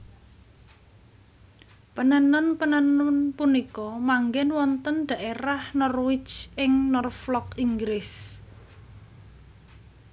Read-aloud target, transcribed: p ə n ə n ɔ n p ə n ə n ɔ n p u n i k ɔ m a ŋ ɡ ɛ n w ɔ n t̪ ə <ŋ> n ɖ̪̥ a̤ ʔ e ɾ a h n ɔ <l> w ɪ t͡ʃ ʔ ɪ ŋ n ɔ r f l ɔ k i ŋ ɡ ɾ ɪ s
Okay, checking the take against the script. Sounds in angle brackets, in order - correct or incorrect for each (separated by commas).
incorrect, incorrect